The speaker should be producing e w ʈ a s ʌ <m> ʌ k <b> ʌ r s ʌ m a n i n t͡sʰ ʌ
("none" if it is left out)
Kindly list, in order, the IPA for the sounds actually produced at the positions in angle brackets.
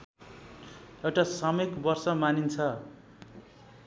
m, b

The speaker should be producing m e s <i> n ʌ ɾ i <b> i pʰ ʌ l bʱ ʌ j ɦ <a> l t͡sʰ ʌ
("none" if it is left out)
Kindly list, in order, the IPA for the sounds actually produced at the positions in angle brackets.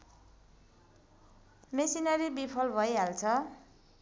i, b, a

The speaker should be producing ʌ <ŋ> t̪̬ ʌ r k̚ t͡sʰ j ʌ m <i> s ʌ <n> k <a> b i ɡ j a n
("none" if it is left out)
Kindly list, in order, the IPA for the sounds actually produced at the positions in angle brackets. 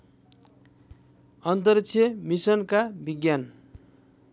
n, i, n, a

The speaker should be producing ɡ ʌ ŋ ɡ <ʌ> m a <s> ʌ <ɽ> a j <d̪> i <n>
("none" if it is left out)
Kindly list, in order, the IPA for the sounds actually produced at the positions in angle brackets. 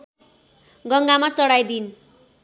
a, t͡s, ɽ, d̪, n

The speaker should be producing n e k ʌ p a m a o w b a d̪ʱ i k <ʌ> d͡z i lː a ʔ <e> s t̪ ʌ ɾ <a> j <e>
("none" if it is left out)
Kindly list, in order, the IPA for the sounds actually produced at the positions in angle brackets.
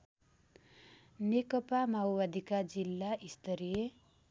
a, i, i, e

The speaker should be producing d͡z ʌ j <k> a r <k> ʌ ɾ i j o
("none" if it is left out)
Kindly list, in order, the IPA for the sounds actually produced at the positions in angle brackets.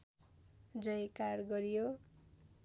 k, ɡ

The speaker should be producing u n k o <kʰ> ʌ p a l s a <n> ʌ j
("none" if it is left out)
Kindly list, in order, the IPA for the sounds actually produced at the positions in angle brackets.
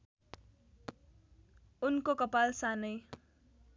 k, n

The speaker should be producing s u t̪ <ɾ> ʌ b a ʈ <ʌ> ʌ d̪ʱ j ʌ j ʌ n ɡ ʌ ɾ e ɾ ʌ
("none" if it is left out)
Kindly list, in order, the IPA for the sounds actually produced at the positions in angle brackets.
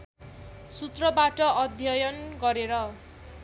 r, ʌ

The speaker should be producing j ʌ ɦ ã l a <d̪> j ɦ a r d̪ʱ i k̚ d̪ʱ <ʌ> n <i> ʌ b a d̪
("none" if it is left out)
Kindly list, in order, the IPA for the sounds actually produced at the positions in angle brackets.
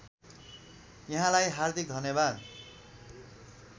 none, ʌ, j

